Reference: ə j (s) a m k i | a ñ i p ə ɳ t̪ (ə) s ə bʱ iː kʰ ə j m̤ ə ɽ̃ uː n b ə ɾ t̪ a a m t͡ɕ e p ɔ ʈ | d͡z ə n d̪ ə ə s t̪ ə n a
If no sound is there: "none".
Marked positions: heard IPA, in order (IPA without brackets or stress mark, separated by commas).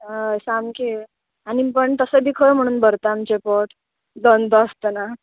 s, ə